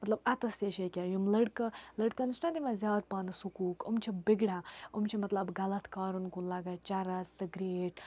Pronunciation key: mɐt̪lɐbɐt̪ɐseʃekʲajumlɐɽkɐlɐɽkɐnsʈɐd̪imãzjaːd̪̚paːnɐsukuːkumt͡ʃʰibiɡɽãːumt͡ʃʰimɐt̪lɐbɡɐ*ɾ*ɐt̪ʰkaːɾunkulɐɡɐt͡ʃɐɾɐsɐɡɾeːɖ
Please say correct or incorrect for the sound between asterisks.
incorrect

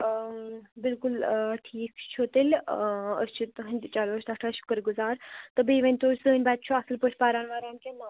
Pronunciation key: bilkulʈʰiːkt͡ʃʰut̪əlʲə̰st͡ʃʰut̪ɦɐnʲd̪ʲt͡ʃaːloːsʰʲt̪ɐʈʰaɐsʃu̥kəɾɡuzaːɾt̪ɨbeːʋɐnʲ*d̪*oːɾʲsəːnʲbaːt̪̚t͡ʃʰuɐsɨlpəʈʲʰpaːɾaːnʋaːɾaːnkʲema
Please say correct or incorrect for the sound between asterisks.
incorrect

